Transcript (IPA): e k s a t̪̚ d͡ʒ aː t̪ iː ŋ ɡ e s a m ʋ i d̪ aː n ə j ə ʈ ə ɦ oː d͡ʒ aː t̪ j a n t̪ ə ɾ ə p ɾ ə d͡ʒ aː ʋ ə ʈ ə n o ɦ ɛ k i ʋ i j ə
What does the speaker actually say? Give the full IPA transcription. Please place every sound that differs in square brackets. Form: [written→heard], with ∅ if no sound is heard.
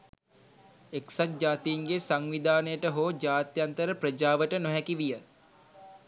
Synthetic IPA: e k s a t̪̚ d͡ʒ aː t̪ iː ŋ ɡ e s a [m→ŋ] ʋ i d̪ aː n ə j ə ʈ ə ɦ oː d͡ʒ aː t̪ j a n t̪ ə ɾ ə p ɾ ə d͡ʒ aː ʋ ə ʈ ə n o ɦ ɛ k i ʋ i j ə